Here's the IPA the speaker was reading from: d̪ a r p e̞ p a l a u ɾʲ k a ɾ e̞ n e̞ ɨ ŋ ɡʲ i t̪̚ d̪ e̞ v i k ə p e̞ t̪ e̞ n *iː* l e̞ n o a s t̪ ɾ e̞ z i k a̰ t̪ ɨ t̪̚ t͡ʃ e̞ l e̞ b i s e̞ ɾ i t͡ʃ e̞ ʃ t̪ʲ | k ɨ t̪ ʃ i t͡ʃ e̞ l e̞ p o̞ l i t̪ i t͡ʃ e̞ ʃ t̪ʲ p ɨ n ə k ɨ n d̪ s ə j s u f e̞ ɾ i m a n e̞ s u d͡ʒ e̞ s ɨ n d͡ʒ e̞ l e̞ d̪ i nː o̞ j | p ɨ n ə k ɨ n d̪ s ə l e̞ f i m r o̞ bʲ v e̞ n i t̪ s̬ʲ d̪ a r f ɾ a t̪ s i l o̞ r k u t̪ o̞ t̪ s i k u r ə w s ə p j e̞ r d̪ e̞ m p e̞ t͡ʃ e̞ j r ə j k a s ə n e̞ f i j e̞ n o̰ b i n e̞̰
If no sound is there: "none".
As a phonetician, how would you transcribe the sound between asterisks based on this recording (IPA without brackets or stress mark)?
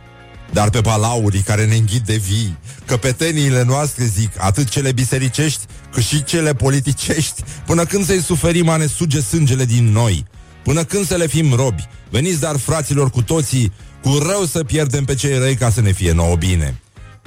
iː